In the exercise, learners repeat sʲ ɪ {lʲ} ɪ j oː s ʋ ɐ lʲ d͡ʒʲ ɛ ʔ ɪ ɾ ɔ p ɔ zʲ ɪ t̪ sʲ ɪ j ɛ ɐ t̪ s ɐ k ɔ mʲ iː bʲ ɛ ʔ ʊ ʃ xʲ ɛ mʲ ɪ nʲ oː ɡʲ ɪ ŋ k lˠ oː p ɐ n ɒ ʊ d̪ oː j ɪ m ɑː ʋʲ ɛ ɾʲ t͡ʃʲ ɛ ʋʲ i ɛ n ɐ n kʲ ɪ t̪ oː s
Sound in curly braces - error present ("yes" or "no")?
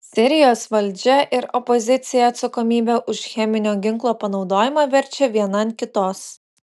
yes